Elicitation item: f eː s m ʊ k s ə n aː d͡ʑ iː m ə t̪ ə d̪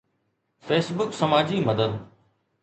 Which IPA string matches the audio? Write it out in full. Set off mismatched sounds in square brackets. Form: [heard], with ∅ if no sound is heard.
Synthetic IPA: f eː s [b] ʊ k s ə [m] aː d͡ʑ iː m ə [d̪] ə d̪